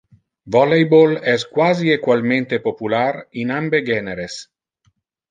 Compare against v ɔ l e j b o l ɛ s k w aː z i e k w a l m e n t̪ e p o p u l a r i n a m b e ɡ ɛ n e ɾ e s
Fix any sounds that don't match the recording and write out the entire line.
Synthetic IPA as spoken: v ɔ l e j b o l ɛ s k w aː z i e k w a l m e n t̪ e p o p u l a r i n a m b e ɡ ɛ n e ɾ e s